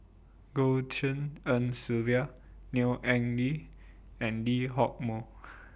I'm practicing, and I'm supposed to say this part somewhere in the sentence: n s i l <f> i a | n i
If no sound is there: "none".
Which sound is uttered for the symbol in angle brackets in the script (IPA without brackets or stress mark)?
v